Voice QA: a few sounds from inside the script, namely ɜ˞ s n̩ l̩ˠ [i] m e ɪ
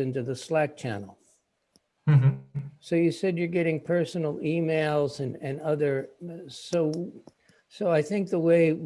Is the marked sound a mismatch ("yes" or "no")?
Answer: no